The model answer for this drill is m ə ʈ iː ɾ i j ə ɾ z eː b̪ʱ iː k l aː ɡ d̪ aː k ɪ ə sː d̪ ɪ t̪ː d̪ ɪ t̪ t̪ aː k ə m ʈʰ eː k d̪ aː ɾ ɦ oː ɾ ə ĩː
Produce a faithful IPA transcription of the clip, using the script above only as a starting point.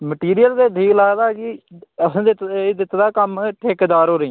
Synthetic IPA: m ə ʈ iː ɾ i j ə l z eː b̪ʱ iː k l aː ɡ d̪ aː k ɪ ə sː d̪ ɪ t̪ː d̪ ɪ t̪ d̪ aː k ə m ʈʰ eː k d̪ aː ɾ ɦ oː ɾ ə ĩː